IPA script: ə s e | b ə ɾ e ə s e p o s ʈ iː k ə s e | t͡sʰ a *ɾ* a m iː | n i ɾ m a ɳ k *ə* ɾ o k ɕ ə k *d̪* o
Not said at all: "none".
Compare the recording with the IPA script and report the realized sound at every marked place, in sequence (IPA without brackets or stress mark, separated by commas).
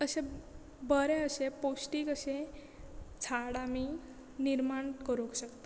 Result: ɽ, ə, t̪